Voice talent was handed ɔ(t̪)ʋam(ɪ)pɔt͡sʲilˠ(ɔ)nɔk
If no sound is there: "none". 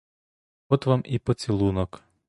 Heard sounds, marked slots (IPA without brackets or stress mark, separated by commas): t̪, i, u